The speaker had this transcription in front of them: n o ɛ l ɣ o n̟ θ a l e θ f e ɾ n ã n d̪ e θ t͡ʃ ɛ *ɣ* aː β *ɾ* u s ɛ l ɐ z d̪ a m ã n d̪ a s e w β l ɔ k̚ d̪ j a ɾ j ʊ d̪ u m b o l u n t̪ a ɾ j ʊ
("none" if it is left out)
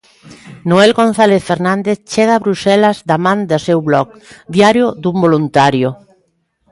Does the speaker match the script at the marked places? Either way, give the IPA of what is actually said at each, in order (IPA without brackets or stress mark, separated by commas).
ɣ, ɾ